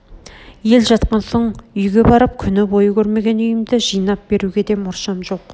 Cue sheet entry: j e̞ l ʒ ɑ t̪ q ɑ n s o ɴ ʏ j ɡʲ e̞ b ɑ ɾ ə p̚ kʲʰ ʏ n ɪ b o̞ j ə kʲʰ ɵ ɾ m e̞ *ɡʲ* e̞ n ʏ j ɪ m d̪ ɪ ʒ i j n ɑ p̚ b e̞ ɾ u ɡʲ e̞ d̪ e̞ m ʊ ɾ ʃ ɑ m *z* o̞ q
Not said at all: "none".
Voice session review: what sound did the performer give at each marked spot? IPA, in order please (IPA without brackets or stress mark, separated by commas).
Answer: ɡʲ, ʒ